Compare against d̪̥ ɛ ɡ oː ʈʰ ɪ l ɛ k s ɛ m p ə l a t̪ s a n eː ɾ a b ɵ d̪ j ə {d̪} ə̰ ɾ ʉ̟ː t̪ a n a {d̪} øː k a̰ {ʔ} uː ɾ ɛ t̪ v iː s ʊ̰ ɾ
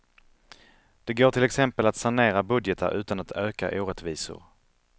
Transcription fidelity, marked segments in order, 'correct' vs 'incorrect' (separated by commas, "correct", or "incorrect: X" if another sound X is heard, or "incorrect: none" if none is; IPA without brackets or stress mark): incorrect: t̪, incorrect: t̪, correct